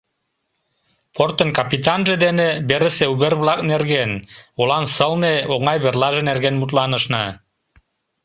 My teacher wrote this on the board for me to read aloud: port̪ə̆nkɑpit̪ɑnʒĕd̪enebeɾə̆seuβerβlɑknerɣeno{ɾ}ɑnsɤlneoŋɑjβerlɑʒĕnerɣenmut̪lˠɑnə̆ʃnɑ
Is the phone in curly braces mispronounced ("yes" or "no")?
yes